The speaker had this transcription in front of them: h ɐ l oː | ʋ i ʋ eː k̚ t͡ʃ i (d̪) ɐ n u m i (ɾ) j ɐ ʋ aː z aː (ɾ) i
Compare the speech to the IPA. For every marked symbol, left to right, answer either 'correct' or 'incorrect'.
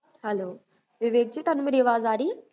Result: incorrect, correct, correct

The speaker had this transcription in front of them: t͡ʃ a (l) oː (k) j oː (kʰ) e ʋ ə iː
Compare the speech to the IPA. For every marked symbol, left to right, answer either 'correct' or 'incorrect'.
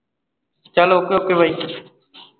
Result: correct, correct, incorrect

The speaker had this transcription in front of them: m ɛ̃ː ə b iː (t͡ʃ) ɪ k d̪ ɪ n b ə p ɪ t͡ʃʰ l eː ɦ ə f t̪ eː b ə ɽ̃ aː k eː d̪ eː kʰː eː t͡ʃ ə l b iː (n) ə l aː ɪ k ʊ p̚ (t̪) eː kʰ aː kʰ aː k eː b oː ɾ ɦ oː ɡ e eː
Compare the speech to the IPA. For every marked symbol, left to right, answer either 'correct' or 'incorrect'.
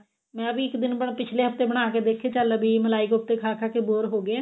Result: incorrect, incorrect, correct

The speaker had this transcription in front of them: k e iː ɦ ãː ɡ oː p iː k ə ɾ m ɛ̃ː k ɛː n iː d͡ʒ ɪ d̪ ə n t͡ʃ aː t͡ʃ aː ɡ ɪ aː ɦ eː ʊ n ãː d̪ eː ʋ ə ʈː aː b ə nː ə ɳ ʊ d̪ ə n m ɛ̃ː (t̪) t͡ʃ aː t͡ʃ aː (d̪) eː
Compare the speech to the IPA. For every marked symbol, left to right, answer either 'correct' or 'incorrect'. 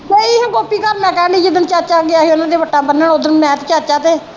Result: correct, incorrect

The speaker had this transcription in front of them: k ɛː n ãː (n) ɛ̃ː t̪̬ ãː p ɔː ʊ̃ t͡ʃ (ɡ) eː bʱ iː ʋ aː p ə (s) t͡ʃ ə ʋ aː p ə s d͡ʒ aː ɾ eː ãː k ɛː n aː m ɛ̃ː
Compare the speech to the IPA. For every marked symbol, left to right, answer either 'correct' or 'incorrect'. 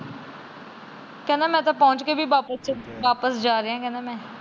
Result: incorrect, incorrect, correct

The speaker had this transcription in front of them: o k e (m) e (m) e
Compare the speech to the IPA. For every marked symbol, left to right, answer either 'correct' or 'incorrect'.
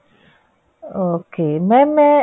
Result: correct, correct

